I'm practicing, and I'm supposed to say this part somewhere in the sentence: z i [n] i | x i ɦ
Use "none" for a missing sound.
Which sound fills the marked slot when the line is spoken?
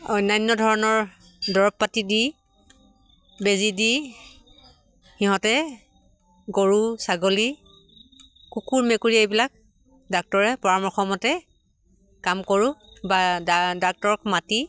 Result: d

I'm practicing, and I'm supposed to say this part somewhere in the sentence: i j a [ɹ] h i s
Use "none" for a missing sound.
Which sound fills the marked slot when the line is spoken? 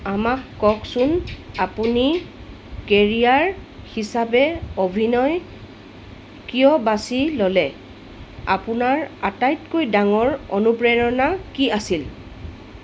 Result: ɹ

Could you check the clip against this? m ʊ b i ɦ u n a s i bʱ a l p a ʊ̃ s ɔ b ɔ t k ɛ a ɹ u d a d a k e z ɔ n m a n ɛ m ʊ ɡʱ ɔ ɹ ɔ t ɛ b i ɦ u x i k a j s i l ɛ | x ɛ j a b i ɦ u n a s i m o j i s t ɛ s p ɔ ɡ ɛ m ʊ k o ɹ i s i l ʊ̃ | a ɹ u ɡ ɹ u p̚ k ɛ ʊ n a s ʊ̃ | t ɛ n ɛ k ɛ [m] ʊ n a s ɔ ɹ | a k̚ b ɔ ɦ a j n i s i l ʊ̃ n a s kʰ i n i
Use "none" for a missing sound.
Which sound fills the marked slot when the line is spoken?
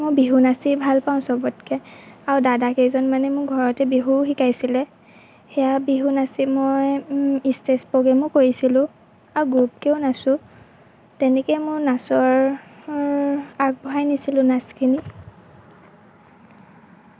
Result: m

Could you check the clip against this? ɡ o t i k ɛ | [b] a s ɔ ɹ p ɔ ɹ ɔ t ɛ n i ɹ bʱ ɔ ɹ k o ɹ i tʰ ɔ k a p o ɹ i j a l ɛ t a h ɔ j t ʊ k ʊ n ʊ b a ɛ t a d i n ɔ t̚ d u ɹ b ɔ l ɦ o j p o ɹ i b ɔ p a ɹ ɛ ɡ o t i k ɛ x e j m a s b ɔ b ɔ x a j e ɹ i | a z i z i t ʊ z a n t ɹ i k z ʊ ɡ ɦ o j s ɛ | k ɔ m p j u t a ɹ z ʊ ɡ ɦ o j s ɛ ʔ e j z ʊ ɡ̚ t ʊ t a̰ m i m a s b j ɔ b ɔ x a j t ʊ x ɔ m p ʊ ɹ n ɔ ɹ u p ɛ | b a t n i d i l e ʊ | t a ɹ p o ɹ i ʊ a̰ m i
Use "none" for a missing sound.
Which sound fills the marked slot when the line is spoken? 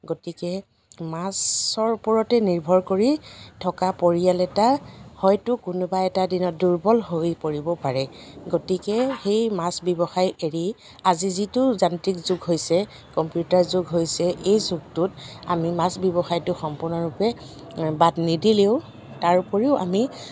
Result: m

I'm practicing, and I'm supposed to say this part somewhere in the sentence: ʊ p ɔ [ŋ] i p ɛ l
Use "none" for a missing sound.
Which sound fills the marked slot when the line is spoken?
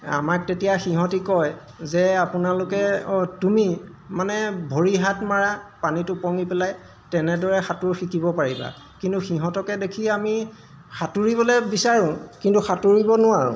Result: ŋ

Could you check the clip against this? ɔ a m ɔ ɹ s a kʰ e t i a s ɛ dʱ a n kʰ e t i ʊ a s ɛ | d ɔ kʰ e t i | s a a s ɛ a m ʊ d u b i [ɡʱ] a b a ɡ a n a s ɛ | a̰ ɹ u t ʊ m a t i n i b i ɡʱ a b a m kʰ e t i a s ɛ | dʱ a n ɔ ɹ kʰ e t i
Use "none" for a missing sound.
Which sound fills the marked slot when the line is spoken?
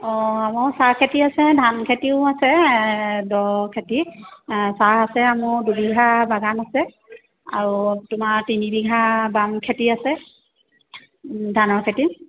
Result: ɡʱ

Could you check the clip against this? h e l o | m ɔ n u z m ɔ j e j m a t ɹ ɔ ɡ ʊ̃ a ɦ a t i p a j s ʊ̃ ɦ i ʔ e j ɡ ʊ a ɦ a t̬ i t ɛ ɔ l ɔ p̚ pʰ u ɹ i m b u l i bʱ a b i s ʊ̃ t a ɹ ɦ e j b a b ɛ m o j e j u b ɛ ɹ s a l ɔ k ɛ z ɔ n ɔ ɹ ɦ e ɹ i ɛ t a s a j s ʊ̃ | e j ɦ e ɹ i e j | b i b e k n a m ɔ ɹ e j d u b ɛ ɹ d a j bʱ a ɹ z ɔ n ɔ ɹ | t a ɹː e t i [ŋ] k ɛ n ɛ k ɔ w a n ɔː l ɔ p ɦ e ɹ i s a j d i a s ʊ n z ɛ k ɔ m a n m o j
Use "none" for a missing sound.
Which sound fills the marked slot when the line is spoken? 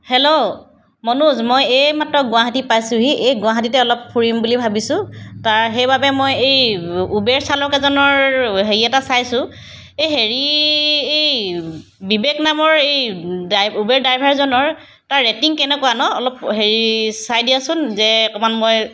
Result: ŋ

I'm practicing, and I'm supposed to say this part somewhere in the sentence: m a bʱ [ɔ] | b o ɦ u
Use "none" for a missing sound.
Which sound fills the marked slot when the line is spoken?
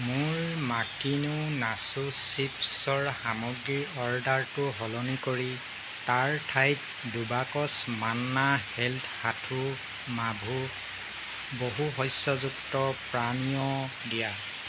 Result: u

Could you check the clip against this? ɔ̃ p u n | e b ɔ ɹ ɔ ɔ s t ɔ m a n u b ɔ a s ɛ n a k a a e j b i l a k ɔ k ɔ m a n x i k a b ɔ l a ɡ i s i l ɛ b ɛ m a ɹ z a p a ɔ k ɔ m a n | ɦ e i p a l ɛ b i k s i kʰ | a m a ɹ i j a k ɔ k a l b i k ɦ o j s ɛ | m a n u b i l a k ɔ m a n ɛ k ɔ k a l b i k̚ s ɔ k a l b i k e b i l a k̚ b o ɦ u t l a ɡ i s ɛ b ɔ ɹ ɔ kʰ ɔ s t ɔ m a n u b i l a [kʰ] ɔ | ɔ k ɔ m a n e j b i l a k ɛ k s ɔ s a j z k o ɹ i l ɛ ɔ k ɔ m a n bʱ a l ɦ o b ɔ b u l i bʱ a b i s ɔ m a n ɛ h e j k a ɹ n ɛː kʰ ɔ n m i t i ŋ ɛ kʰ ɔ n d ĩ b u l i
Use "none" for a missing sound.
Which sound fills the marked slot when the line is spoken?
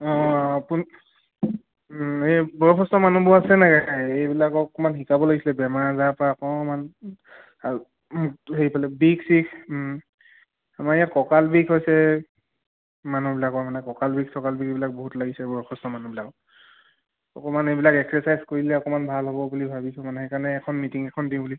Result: k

